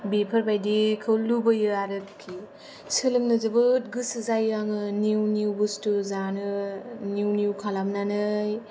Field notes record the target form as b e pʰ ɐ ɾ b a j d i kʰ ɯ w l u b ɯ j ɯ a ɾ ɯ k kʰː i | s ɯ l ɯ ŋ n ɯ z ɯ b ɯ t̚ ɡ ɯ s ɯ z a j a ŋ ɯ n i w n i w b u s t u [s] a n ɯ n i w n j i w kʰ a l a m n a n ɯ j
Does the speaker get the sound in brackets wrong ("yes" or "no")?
yes